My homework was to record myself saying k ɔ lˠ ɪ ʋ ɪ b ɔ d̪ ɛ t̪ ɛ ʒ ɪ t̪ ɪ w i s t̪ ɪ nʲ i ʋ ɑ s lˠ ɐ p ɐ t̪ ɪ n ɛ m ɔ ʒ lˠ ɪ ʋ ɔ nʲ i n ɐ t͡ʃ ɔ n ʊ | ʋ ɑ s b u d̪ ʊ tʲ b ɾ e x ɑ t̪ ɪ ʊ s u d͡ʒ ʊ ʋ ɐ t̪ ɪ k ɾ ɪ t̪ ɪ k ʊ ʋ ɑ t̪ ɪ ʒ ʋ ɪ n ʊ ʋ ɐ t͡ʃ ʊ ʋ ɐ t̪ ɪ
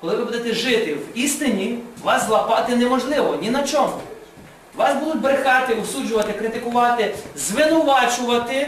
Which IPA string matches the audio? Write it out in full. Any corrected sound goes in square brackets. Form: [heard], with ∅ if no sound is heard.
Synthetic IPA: k ɔ lˠ ɪ ʋ ɪ b [u] d̪ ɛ t̪ ɛ ʒ ɪ t̪ ɪ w i s t̪ ɪ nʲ i ʋ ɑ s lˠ ɐ p [ɑ] t̪ ɪ n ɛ m ɔ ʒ lˠ ɪ ʋ ɔ nʲ i n ɐ t͡ʃ ɔ [m] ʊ | ʋ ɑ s b u d̪ ʊ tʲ b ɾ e x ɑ t̪ ɪ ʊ s u d͡ʒ ʊ ʋ ɐ t̪ ɪ k ɾ ɪ t̪ ɪ k ʊ ʋ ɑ t̪ ɪ [z] ʋ ɪ n ʊ ʋ [ɑ] t͡ʃ ʊ ʋ ɐ t̪ ɪ